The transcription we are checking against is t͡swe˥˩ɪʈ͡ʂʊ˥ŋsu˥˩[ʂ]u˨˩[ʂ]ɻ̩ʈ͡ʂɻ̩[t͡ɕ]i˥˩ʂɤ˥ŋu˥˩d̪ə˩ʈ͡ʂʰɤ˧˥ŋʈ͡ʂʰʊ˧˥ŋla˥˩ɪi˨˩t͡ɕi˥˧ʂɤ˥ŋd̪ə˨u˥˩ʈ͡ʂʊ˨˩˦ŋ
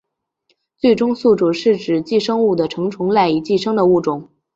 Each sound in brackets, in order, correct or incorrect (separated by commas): incorrect, correct, correct